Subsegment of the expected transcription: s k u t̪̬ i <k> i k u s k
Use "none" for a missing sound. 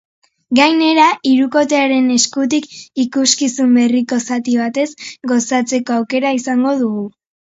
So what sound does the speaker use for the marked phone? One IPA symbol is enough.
k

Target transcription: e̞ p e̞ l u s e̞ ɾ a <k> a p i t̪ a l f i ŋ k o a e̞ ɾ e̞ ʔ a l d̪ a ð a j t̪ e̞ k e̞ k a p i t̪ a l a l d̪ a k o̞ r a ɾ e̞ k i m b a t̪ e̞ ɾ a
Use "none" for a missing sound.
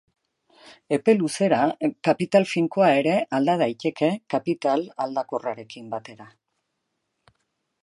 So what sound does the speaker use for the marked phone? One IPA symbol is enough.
k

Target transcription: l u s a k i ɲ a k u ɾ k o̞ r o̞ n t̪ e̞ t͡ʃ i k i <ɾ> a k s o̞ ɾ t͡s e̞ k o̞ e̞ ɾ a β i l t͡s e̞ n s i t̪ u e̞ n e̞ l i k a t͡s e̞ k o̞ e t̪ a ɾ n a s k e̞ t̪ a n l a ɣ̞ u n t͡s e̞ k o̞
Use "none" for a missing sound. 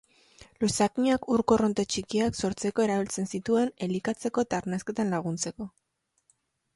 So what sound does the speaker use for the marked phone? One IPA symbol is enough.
none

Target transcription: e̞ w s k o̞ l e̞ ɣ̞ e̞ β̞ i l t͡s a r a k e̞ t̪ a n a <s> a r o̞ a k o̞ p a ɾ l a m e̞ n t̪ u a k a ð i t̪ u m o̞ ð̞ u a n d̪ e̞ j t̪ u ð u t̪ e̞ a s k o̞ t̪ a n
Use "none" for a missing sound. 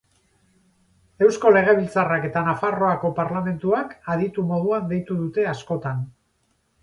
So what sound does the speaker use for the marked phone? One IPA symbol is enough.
f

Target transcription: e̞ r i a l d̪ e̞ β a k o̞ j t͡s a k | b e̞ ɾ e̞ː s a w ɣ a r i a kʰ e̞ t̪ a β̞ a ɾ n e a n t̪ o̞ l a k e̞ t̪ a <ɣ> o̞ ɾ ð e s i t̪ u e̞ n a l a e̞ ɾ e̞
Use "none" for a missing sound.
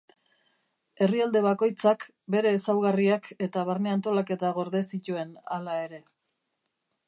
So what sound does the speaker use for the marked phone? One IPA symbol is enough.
ɣ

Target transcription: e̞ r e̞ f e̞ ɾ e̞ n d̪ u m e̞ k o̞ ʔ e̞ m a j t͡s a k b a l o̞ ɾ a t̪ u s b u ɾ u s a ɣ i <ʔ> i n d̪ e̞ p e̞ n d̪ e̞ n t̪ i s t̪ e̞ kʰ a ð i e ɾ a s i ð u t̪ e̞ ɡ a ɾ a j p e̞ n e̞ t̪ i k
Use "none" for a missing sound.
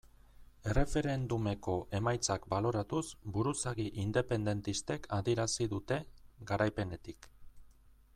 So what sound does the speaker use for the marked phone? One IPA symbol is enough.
ʔ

